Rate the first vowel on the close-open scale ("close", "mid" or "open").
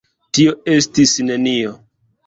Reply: close